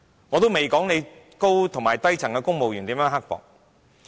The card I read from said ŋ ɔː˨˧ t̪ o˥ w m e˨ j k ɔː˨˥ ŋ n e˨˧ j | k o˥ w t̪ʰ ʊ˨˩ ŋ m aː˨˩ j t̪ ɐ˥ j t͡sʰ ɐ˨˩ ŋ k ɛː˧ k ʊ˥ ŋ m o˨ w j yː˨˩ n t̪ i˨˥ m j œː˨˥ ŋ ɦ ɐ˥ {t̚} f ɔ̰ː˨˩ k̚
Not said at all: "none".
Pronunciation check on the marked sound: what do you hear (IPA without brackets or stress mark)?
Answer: k̚